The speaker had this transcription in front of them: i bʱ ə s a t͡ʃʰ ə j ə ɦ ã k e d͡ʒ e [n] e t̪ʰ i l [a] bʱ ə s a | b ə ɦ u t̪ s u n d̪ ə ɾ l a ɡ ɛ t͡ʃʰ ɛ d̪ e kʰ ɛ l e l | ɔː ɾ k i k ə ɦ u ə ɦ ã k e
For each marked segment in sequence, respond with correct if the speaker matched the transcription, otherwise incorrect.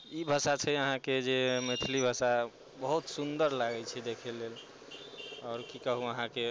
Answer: incorrect: m, incorrect: i

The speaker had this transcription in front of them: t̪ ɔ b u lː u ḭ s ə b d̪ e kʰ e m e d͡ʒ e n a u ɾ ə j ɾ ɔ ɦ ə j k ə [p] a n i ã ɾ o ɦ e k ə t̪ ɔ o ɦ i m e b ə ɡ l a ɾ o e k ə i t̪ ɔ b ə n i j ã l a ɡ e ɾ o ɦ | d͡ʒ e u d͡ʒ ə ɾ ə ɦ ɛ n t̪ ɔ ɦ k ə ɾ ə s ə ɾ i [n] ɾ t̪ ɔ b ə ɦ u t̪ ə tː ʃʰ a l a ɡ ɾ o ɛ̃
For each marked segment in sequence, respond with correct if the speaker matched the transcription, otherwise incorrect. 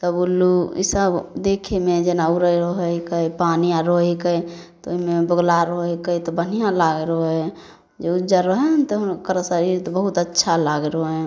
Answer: correct, incorrect: none

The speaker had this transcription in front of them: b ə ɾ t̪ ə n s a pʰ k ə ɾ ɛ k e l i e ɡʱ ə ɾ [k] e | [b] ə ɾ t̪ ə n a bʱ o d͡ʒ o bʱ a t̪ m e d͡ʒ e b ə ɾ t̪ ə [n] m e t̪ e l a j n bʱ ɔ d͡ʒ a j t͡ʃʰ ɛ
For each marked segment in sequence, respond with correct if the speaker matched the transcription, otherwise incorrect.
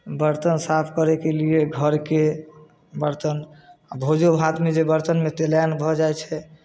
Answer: correct, correct, correct

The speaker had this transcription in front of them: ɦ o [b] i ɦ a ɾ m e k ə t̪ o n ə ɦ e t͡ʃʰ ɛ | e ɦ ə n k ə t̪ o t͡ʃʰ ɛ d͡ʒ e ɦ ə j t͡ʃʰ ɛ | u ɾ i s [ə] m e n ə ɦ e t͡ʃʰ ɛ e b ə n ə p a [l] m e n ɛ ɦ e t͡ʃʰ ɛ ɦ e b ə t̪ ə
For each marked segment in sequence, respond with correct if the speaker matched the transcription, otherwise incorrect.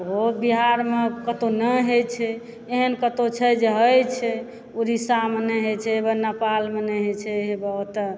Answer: correct, incorrect: a, correct

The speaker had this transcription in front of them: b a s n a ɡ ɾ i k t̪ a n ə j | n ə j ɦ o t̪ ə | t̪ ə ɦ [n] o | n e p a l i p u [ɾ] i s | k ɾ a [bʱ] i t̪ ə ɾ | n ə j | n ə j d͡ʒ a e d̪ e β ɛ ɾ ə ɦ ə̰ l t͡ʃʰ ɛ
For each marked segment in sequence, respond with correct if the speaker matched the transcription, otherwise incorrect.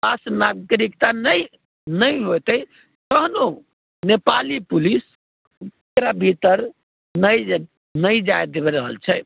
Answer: correct, incorrect: l, correct

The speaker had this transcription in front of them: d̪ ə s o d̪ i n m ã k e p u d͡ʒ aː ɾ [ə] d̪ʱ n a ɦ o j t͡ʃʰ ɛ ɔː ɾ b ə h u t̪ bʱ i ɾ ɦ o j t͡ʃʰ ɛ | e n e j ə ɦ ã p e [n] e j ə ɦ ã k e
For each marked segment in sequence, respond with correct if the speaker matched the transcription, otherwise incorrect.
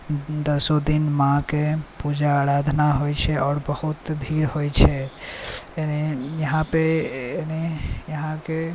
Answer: incorrect: a, correct

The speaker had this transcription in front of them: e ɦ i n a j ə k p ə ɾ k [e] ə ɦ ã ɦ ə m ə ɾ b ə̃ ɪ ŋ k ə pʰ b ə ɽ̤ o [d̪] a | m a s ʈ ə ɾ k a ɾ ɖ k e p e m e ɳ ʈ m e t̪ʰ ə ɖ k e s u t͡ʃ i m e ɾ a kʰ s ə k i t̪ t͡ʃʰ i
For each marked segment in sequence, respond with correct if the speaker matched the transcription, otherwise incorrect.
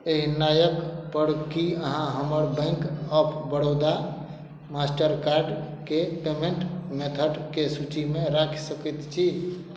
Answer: incorrect: i, correct

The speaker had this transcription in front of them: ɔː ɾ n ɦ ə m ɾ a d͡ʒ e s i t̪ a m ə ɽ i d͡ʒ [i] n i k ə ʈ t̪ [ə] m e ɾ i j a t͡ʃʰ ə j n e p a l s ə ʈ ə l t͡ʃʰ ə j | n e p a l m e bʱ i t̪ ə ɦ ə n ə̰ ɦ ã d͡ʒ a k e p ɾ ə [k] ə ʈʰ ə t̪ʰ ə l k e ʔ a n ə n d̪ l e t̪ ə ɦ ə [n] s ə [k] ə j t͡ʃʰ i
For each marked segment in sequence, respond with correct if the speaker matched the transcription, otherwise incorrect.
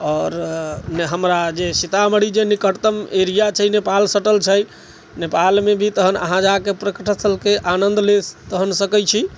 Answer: incorrect: e, correct, correct, correct, correct

